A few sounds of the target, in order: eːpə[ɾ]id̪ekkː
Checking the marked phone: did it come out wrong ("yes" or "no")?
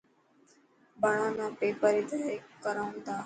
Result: no